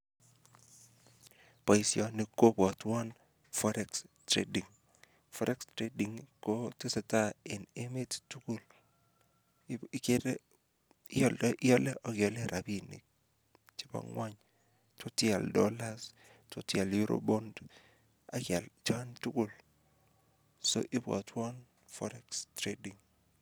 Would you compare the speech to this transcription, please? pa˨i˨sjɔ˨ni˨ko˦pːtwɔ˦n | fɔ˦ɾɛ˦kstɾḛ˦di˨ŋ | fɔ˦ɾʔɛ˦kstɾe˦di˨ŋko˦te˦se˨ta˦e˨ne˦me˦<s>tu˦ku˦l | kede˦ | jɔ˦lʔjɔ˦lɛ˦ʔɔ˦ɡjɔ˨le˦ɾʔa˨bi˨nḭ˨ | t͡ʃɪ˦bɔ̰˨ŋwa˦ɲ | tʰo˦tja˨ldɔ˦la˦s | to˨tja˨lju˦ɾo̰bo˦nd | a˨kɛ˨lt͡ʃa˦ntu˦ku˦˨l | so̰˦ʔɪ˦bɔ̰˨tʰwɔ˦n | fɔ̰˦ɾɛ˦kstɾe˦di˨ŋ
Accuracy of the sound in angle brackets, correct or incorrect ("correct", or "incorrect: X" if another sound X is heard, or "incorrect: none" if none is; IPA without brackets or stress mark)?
incorrect: t